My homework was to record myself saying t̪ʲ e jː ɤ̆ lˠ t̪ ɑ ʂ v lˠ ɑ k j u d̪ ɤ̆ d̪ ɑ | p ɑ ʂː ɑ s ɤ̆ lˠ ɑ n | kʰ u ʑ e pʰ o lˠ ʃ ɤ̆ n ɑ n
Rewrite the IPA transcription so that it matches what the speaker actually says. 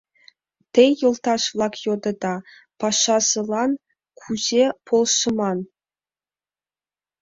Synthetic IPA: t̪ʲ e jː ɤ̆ lˠ t̪ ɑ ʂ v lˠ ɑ k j o d̪ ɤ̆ d̪ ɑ | p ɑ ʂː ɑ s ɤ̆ lˠ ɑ n | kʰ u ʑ e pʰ o lˠ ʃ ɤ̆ m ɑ n

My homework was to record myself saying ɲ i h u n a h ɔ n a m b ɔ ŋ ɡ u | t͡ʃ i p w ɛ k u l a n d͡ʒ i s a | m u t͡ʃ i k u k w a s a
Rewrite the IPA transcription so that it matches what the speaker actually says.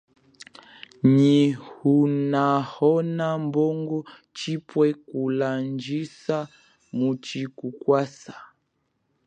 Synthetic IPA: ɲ i h u n a h ɔ n a m b ɔ ŋ ɡ ɔ | t͡ʃ i p w ɛ k u l a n d͡ʒ i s a | m u t͡ʃ i k u k w a s a

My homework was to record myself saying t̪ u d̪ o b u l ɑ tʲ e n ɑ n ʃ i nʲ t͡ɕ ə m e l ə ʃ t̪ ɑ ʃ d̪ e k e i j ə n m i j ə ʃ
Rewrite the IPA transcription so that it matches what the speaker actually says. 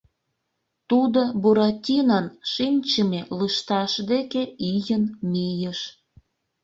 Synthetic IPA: t̪ u d̪ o b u ɾ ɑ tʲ i n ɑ n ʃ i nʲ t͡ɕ ə m e l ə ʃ t̪ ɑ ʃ d̪ e k e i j ə n m i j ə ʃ

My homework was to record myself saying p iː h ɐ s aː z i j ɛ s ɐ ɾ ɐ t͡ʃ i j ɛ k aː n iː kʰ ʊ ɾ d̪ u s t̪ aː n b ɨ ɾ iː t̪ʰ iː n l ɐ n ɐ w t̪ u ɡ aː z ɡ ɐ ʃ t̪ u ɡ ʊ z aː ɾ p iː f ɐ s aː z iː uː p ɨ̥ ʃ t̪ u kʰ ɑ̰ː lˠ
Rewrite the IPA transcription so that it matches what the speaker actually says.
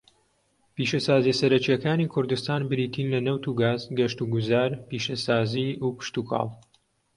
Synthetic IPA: p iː ʃ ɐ s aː z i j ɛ s ɐ ɾ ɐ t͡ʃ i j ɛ k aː n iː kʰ ʊ ɾ d̪ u s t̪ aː n b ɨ ɾ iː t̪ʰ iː n l ɐ n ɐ w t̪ u ɡ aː z ɡ ɐ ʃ t̪ u ɡ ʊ z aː ɾ p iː ʃ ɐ s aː z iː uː p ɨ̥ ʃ t̪ u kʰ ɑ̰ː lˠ

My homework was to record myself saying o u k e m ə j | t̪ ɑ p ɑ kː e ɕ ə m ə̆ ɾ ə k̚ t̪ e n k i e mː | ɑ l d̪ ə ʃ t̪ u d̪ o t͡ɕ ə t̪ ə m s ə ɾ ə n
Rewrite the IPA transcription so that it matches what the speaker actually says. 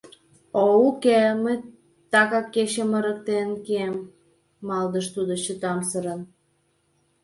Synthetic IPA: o u k e m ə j | t̪ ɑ k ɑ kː e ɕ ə m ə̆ ɾ ə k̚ t̪ e n k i e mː | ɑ l d̪ ə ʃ t̪ u d̪ o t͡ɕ ə t̪ ɑ m s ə ɾ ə n

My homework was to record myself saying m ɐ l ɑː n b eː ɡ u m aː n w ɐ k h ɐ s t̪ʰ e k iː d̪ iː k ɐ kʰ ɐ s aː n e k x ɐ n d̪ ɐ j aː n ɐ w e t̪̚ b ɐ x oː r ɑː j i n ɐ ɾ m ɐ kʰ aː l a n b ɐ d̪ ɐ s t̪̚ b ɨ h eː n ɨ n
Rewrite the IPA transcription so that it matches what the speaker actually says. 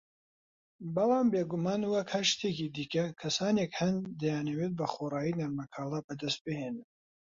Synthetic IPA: b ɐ l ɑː m b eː ɡ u m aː n w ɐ k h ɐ ʃ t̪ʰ e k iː d̪ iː k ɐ kʰ ɐ s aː n e k h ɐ n d̪ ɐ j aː n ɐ w e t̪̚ b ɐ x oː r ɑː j i n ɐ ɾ m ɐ kʰ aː l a b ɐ d̪ ɐ s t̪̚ b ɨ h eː n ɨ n

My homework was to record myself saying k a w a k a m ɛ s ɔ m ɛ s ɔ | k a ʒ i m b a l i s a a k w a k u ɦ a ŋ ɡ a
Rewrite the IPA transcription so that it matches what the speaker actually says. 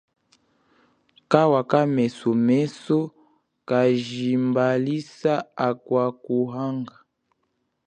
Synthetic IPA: k a w a k a m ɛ s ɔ m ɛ s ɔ | k a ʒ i m b a l i s a a k w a k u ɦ a ŋ ɡ a

